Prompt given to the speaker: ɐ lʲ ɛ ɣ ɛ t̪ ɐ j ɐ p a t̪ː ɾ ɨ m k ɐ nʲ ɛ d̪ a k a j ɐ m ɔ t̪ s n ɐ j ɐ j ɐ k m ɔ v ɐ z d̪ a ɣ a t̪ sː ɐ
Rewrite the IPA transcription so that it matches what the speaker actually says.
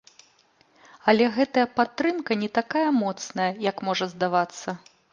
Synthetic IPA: ɐ lʲ ɛ ɣ ɛ t̪ ɐ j ɐ p a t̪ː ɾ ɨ m k ɐ nʲ ɛ t̪ a k a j ɐ m ɔ t̪ s n ɐ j ɐ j ɐ k m ɔ ʐ ɐ z d̪ a v a t̪ sː ɐ